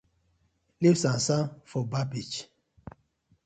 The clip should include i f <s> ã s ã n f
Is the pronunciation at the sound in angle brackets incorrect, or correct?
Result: correct